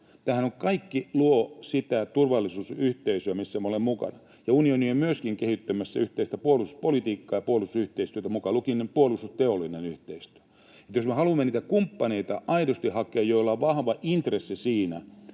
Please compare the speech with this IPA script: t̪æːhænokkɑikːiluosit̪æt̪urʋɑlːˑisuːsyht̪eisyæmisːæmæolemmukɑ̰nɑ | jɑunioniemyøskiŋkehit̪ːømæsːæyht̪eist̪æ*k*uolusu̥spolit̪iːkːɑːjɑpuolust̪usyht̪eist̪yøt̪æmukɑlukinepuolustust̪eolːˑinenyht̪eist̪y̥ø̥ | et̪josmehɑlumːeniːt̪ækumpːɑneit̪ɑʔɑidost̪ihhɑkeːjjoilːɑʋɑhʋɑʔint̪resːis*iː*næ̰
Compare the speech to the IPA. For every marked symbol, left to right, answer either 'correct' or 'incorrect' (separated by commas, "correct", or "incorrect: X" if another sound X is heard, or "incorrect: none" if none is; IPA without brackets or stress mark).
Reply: incorrect: p, correct